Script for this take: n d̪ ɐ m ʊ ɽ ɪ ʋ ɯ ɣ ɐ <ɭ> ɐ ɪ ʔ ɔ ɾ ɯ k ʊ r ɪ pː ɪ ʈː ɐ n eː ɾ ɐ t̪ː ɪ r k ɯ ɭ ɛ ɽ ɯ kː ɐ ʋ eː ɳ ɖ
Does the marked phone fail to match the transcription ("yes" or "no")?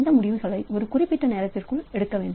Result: no